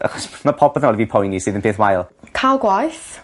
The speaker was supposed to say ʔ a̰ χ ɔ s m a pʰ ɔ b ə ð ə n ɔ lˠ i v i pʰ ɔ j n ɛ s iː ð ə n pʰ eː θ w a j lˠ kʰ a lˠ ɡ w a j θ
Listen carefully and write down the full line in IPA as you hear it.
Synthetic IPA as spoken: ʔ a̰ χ ɔ s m a pʰ ɔ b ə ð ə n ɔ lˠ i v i pʰ ɔ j n i s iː ð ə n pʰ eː θ w a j lˠ kʰ a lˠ ɡ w a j θ